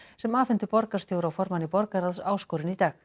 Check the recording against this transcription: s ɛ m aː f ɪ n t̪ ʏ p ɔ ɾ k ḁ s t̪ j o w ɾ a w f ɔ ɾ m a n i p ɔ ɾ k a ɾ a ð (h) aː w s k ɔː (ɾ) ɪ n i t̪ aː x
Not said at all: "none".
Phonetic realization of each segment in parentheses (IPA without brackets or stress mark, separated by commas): s, ɾ